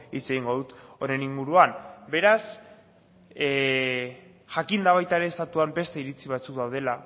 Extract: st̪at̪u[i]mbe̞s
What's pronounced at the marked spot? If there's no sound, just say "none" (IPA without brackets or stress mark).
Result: a